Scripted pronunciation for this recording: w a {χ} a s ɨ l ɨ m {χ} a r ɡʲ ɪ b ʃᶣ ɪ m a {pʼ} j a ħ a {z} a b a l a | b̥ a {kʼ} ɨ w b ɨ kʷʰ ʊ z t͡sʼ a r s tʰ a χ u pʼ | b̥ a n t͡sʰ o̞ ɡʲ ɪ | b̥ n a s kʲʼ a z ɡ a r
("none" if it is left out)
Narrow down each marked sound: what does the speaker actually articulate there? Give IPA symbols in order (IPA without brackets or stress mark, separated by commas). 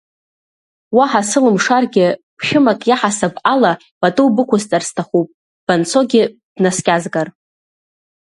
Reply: ħ, ʂ, kʼ, s, tʼ